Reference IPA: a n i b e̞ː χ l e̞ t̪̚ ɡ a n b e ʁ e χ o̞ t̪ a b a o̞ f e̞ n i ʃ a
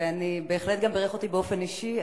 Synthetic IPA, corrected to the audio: a n i b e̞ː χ l e̞ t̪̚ ɡ a m b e ʁ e χ o̞ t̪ i b e o̞ f e̞ n i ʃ i